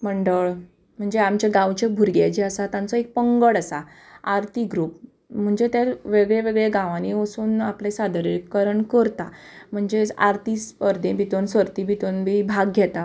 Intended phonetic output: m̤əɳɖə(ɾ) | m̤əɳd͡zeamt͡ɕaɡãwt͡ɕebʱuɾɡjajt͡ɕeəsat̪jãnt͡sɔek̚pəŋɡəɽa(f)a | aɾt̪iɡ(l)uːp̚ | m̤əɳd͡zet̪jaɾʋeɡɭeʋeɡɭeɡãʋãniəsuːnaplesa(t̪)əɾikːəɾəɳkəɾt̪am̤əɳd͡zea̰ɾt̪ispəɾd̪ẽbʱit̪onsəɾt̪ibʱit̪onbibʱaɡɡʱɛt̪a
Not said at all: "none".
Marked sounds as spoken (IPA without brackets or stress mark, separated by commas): ɭ, s, ɾ, d̪